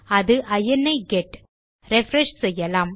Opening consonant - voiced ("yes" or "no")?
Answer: yes